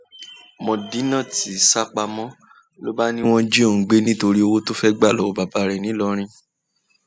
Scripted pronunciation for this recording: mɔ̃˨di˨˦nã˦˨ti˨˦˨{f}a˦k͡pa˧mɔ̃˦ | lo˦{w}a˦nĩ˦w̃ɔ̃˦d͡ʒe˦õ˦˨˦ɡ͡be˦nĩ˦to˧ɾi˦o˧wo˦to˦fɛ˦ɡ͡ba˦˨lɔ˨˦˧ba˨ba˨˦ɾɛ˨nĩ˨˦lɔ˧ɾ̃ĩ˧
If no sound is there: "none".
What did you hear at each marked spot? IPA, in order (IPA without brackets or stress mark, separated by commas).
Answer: s, b